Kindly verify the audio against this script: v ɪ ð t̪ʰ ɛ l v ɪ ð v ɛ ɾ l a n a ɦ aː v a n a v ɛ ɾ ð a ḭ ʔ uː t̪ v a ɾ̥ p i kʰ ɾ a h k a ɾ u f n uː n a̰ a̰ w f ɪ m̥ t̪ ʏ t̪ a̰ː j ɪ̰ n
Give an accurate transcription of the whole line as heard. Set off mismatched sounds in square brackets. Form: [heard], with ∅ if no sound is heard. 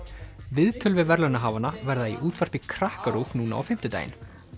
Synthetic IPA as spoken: v ɪ ð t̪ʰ [œ] l v ɪ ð v ɛ ɾ l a n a ɦ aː v a n a v ɛ ɾ ð a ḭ ʔ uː t̪ v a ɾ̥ p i kʰ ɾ a h k a ɾ u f n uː n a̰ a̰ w f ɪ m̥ t̪ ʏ t̪ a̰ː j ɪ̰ n